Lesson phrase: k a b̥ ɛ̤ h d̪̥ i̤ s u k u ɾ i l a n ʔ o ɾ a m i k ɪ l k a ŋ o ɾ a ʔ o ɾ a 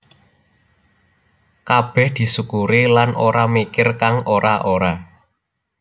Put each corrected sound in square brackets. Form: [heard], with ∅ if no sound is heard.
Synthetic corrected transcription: k a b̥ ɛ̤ h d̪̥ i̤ s u k u ɾ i l a n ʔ o ɾ a m i k ɪ [r] k a ŋ o ɾ a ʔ o ɾ a